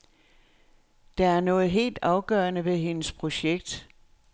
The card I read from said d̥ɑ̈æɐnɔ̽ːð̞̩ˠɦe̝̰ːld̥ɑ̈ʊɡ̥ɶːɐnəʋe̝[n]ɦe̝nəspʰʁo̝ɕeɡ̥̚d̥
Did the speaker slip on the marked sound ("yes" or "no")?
yes